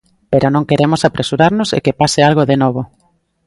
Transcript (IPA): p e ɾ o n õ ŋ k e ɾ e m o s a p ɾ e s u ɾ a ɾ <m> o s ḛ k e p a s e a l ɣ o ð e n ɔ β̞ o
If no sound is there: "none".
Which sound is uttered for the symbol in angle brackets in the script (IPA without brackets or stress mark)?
n